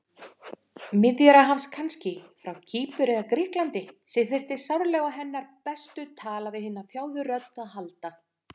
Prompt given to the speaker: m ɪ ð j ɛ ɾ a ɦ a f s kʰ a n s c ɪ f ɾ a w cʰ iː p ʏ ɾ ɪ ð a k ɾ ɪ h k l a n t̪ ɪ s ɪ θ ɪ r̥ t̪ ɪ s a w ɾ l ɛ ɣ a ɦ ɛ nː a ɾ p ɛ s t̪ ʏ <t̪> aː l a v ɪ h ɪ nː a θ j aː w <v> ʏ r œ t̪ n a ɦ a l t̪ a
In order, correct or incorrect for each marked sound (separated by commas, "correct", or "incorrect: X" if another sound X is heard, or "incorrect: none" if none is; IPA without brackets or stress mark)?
incorrect: t̪ʰ, incorrect: ð